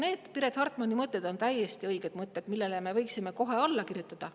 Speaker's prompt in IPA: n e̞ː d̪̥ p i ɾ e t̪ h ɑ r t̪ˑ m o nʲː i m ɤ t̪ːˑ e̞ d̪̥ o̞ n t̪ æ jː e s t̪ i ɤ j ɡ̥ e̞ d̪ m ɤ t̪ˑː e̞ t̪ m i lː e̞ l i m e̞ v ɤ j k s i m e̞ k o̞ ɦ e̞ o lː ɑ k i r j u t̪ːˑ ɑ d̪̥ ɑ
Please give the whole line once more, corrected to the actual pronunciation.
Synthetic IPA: n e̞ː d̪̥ p i ɾ e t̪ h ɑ r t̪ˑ m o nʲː i m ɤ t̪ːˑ e̞ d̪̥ o̞ n t̪ æ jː e s t̪ i ɤ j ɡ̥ e̞ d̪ m ɤ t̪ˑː e̞ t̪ m i lː e̞ l e m e̞ v ɤ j k s i m e̞ k o̞ ɦ e̞ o lː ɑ k i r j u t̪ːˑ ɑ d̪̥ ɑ